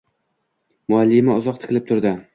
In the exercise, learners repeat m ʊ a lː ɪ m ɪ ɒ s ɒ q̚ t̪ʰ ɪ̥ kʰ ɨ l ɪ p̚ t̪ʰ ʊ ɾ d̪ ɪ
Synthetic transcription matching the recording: m ʊ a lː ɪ m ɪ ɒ z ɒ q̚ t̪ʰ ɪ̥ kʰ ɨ l ɪ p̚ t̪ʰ ʊ ɾ d̪ ɪ